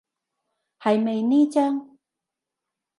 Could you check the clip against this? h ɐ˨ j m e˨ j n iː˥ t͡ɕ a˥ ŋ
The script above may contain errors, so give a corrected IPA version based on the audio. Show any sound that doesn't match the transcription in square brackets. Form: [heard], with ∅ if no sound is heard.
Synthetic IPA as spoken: h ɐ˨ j m e˨ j n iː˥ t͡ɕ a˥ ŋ